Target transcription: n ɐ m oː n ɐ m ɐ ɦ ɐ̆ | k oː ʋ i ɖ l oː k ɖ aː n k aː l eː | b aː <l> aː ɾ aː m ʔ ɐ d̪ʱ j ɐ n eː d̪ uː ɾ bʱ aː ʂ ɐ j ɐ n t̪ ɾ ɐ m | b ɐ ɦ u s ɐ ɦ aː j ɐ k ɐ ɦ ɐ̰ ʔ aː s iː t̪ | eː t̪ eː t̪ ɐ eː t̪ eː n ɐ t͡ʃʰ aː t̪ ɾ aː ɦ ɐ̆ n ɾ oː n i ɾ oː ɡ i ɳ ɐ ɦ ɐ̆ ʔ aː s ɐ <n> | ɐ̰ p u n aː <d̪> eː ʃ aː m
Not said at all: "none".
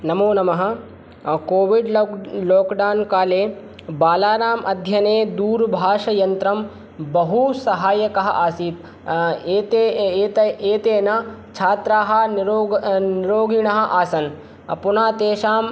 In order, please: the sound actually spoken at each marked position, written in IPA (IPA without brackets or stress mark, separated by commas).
l, n, t̪